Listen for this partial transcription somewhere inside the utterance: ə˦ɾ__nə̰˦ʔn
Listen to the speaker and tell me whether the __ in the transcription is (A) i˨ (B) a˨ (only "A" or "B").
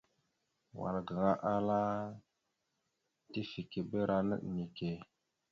B